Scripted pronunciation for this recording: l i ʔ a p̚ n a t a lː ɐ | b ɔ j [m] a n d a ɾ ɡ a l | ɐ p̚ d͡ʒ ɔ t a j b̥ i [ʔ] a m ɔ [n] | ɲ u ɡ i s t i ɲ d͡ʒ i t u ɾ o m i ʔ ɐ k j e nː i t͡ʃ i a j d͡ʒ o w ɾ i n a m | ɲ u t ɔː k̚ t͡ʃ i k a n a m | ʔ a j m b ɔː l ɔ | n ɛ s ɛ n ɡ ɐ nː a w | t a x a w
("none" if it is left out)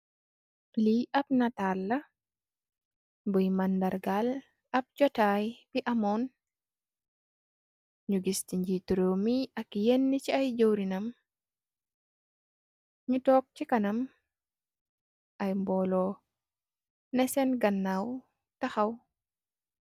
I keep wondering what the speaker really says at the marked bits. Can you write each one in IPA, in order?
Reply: m, ʔ, n

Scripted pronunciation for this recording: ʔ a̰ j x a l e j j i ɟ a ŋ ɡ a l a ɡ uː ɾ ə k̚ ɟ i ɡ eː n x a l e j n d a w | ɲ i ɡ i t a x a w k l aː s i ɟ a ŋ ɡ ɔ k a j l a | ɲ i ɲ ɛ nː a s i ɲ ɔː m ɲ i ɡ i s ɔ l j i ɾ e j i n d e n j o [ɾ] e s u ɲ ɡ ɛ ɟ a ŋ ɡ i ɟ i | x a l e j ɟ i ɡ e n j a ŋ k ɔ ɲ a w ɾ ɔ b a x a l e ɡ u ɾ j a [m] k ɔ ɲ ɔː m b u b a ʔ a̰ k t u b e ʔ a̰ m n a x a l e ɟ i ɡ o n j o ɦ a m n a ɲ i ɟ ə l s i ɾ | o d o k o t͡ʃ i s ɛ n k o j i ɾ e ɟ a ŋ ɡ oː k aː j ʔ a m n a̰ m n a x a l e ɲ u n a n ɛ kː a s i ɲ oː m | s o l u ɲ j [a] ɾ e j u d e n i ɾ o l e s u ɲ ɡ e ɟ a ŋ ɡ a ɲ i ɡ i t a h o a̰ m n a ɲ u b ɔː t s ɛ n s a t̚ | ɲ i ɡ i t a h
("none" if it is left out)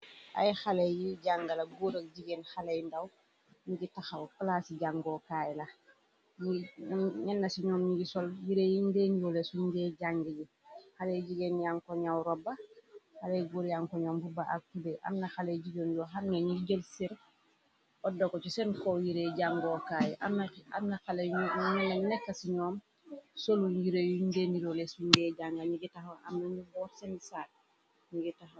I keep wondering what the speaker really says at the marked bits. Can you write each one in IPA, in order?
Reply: l, ŋ, i

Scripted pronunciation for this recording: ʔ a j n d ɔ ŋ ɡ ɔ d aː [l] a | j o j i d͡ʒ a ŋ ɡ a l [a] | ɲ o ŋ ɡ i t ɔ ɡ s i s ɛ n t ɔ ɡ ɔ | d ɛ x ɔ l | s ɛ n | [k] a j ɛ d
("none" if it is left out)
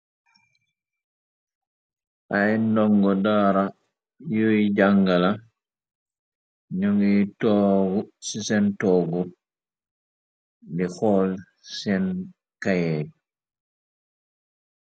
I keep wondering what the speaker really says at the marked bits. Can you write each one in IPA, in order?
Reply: ɾ, a, k

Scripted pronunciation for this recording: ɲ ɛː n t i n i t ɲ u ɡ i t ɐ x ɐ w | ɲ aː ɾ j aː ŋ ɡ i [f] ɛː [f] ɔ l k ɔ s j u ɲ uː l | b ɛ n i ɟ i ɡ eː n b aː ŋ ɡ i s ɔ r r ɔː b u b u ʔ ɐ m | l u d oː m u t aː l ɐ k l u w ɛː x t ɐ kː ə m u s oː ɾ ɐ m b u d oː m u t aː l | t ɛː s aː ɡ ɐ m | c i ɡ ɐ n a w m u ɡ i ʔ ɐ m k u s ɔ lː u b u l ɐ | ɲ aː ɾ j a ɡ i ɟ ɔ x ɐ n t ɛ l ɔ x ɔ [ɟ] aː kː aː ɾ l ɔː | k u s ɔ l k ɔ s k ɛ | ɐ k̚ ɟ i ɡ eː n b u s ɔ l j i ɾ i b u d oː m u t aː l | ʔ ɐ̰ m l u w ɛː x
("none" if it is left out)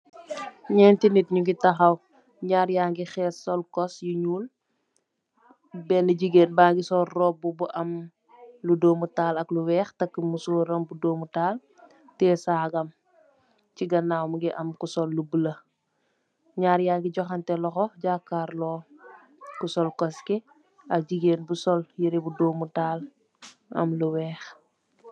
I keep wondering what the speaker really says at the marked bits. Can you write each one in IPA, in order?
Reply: x, s, ɟ

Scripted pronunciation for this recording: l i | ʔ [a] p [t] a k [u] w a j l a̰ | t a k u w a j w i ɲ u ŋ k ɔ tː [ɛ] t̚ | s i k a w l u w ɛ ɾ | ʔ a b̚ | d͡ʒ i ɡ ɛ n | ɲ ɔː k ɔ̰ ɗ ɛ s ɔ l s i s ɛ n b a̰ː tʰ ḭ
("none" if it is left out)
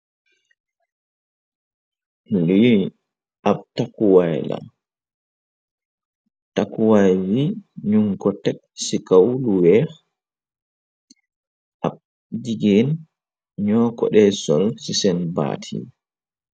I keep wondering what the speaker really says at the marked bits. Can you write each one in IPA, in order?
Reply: a, t, u, ɛ

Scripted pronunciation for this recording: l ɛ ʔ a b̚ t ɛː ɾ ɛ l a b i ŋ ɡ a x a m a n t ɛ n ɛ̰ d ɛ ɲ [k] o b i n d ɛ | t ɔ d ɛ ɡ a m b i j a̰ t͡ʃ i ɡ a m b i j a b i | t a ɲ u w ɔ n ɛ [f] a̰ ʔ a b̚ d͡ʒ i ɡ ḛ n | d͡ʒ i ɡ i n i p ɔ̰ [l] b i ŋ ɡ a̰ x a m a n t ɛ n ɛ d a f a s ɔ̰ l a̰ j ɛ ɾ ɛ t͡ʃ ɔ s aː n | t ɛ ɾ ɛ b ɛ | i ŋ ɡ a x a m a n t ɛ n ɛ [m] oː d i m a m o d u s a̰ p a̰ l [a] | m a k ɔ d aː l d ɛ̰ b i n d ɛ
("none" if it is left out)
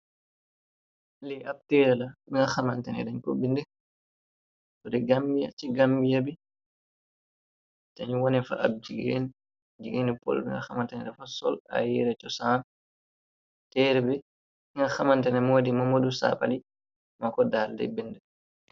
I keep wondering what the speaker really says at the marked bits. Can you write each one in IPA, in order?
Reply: k, f, l, m, i

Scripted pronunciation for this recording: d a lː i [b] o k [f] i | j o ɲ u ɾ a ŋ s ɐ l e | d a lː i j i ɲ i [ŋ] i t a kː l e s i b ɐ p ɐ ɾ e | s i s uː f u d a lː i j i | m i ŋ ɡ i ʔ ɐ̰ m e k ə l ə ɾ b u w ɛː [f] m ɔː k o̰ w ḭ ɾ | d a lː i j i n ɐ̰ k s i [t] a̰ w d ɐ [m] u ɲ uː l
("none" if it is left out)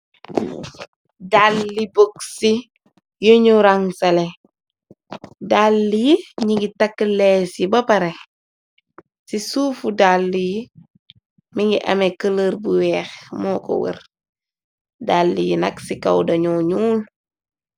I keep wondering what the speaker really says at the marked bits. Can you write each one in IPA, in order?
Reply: b, s, ɡ, x, k, ɲ

